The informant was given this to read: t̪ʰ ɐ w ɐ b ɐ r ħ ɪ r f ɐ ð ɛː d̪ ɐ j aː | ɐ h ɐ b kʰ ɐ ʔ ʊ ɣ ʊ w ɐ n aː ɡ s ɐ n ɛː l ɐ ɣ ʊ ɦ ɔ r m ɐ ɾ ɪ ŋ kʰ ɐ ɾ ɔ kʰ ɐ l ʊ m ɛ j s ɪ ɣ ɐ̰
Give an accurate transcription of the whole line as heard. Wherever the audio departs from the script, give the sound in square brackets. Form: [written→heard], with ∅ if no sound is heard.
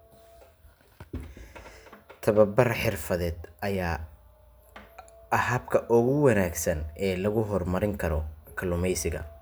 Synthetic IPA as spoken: t̪ʰ ɐ [w→β] ɐ b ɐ r ħ ɪ r f ɐ ð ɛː d̪ ɐ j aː | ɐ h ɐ b kʰ ɐ ʔ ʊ ɣ ʊ w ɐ n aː ɡ s ɐ n ɛː l ɐ ɣ ʊ ɦ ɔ r m ɐ ɾ ɪ ŋ kʰ ɐ ɾ ɔ kʰ ɐ l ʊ m ɛ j s ɪ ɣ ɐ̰